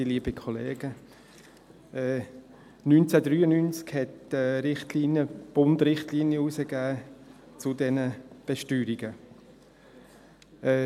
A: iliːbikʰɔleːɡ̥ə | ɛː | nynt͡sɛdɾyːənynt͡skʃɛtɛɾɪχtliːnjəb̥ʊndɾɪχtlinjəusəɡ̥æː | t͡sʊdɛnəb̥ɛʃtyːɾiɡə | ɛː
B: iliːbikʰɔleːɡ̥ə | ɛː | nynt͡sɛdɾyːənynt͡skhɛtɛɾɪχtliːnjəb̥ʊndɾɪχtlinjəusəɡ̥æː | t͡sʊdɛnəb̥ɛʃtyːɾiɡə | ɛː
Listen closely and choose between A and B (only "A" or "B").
B